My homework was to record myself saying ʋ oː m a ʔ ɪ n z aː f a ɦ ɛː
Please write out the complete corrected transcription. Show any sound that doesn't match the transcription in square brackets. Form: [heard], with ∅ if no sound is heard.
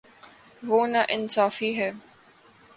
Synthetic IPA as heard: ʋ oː [n] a ʔ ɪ n [s] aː f [i] ɦ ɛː